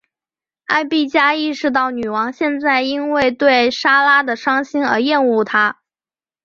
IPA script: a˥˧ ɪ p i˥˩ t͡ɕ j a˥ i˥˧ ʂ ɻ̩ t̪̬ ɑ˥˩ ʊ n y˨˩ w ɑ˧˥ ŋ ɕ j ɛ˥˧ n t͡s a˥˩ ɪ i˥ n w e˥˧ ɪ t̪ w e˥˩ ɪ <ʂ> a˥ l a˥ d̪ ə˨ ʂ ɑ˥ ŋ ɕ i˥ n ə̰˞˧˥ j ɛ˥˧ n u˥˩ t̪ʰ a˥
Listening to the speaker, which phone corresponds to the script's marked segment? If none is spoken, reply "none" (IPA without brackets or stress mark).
ʂ